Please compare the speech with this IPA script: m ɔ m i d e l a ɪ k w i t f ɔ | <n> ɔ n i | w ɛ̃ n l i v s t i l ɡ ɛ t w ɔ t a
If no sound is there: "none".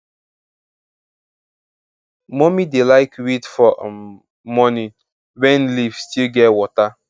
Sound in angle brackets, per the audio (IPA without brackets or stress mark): m